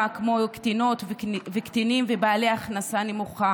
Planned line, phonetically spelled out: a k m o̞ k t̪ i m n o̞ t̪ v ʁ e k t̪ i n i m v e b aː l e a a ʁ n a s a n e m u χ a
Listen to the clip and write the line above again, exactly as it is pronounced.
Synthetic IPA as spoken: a k m o̞ k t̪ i n o̞ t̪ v v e k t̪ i n i m v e b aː l e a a χ n a s a n e m u χ a

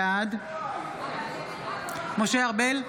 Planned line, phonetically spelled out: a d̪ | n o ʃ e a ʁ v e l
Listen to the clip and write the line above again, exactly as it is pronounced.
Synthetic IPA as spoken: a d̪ | m o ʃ e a ʁ b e l

